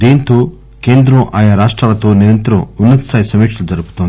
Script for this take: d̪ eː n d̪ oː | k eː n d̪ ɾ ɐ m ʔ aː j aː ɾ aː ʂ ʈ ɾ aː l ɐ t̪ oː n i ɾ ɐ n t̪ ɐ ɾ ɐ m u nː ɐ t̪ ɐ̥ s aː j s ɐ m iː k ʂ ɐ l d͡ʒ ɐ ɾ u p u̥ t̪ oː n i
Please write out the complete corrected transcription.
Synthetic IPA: d̪ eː n t̪ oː | k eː n d̪ ɾ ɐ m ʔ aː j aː ɾ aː ʂ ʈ ɾ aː l ɐ t̪ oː n i ɾ ɐ n t̪ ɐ ɾ ɐ m u nː ɐ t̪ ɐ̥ s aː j s ɐ m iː k ʂ ɐ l d͡ʒ ɐ ɾ u p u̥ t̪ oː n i